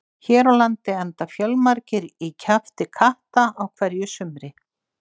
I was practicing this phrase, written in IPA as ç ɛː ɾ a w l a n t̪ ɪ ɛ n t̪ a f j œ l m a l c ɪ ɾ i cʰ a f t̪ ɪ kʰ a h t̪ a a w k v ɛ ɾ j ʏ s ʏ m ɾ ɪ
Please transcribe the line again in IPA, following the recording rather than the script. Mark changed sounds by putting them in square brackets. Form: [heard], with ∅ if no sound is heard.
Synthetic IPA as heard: ç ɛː ɾ a w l a n t̪ ɪ ɛ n t̪ a f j œ l m a [ɾ] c ɪ ɾ i cʰ a f t̪ ɪ kʰ a h t̪ a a w [kʰ] v ɛ ɾ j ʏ s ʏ m ɾ ɪ